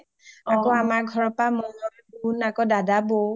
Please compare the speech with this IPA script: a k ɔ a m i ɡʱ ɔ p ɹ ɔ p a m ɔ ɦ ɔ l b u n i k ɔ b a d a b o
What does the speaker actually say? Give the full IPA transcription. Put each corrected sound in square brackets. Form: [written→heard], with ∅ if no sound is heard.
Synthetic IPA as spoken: a k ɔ a m [i→a] ɡʱ ɔ [p→∅] ɹ ɔ p a m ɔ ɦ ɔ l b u n [i→a] k ɔ [b→d] a d a b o

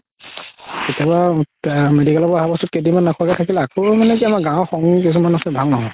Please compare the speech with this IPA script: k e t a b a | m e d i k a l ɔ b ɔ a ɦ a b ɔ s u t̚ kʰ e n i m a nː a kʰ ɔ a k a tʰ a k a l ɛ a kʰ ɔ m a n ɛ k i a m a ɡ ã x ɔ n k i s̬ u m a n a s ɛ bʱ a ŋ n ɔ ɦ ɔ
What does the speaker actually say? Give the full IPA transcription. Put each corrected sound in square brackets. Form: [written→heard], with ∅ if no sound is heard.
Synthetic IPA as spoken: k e t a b a | m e d i k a l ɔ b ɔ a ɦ a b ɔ s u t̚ [kʰ→k] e [n→d] i m a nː a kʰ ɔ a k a tʰ a k [a→i] l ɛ a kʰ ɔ m a n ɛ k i a m a ɡ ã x ɔ [n→ŋ] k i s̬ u m a n a s ɛ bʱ a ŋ n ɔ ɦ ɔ

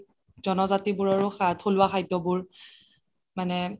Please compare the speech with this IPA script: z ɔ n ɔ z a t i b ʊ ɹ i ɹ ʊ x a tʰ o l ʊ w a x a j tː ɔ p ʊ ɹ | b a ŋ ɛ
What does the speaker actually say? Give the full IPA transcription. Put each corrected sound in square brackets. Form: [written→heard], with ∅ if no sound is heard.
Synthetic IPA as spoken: z ɔ n ɔ z a t i b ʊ ɹ [i→a] ɹ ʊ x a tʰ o l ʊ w a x a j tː ɔ [p→b] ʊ ɹ | [b→m] a [ŋ→n] ɛ

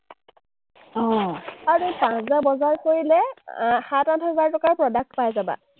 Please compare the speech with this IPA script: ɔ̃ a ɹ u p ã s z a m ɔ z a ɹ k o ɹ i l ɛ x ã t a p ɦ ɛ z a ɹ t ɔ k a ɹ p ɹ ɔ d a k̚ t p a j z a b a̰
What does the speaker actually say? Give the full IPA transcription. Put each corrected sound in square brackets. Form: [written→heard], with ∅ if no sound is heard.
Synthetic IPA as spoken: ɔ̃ a ɹ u p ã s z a [m→b] ɔ z a ɹ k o ɹ i l ɛ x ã t a [p→t] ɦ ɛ z a ɹ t ɔ k a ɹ p ɹ ɔ d a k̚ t p a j z a b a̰

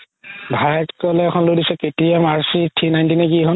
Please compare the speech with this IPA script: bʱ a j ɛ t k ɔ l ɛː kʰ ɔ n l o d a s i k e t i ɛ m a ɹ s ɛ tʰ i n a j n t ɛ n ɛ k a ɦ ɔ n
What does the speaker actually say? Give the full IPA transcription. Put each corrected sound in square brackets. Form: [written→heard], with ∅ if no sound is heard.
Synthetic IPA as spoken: bʱ a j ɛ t k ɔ l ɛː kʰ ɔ n l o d [a→i] s [i→ɛ] k e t i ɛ m a ɹ s [ɛ→i] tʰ i n a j n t [ɛ→i] n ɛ k [a→i] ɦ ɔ n

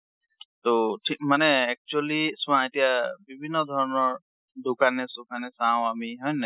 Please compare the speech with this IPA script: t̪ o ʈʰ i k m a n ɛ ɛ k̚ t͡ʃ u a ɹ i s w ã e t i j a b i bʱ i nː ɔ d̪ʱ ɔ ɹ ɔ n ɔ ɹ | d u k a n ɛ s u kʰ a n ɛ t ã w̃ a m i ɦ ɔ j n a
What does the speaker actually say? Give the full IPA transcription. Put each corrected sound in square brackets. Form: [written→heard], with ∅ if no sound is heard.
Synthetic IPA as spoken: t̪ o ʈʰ i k m a n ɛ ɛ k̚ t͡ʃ u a [ɹ→l] i s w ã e t i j a b i bʱ i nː ɔ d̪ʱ ɔ ɹ ɔ n ɔ ɹ | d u k a n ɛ s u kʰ a n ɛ [t→s] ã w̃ a m i ɦ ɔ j n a

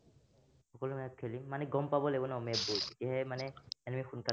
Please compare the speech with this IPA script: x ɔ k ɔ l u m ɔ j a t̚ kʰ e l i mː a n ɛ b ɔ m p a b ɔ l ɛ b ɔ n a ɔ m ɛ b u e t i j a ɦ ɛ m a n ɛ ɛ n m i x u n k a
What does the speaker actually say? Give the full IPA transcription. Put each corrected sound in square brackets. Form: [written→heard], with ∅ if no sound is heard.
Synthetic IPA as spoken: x ɔ k ɔ l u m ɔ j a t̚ kʰ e l i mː a n ɛ [b→ɡ] ɔ m p a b ɔ l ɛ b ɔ n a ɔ m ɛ b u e t i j a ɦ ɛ m a n ɛ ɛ n m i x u n k a

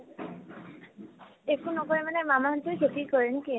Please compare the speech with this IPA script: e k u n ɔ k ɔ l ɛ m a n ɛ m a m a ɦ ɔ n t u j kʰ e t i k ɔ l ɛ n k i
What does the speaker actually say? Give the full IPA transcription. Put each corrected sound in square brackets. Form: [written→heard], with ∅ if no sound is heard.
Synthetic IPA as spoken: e k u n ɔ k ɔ [l→ɹ] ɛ m a n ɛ m a m a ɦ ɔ n t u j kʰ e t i k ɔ [l→ɹ] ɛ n k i

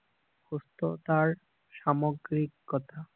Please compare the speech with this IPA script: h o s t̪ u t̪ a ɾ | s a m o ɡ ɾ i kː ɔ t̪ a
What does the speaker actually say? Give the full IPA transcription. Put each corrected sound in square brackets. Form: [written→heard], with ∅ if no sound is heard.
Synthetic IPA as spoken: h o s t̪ [u→o] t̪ a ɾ | [s→ʃ] a m o ɡ ɾ i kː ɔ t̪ a

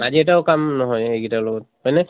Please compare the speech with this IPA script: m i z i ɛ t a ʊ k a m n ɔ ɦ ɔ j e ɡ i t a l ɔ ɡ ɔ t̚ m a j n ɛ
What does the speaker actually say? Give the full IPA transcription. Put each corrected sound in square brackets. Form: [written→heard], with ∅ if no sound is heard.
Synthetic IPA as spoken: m [i→a] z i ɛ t a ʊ k a m n ɔ ɦ ɔ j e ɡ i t a l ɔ ɡ ɔ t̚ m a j n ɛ

